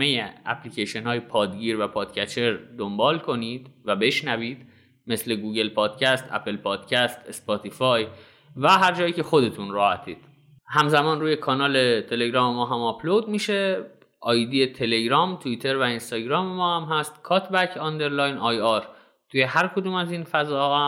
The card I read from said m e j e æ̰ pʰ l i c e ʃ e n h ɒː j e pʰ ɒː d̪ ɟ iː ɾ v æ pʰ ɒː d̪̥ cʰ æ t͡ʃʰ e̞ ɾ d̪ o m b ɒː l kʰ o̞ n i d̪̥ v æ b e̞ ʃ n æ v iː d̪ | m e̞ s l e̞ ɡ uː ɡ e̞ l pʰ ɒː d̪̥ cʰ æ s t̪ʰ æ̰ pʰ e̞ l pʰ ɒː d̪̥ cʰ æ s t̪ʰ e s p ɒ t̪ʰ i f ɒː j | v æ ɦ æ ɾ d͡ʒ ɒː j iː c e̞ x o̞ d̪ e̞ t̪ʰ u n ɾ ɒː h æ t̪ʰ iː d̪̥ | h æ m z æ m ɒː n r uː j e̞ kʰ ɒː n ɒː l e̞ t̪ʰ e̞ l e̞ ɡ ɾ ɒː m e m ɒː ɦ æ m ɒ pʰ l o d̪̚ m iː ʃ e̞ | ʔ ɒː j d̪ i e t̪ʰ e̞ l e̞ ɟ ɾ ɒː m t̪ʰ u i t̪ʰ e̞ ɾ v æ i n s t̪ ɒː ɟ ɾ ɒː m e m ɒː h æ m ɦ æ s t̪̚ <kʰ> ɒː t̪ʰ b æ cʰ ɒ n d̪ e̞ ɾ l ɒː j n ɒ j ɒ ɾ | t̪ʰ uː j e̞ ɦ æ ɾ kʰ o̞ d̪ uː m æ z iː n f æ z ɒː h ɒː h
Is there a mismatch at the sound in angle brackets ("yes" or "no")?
no